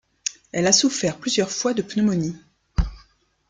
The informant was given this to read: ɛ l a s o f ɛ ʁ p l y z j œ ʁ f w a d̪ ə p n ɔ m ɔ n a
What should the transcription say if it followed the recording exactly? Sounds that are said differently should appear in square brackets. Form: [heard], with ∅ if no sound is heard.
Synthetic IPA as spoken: ɛ l a s [u] f ɛ ʁ p l y z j œ ʁ f w a d̪ ə p n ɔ m ɔ n [i]